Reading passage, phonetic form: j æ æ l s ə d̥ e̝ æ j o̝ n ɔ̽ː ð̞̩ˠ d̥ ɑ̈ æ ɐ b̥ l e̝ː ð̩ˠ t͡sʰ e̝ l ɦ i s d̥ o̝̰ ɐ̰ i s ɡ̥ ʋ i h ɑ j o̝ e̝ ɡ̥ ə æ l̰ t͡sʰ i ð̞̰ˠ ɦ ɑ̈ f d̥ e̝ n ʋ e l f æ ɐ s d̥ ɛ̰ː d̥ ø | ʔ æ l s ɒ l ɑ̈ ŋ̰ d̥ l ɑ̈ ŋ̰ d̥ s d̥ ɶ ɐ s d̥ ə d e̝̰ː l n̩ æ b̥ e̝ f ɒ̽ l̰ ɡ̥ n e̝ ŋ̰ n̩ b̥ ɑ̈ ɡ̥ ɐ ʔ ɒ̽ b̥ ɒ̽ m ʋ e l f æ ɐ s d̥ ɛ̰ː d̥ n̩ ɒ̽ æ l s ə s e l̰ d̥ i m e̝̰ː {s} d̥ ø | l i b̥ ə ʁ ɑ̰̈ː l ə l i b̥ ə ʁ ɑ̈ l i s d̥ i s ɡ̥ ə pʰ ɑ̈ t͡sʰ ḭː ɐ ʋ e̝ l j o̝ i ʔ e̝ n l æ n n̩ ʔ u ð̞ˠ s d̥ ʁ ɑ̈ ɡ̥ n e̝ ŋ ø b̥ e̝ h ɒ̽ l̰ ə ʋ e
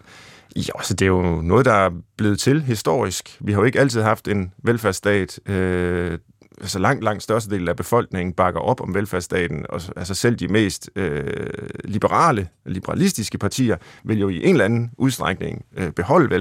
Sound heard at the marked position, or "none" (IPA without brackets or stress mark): s